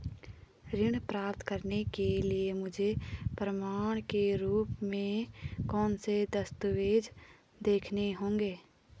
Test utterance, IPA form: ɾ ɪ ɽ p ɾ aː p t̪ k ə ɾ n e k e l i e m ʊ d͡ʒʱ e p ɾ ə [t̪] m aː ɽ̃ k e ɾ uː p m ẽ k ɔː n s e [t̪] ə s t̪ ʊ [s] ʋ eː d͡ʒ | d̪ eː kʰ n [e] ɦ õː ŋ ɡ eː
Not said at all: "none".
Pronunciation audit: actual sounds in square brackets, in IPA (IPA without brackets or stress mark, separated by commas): none, d̪, none, e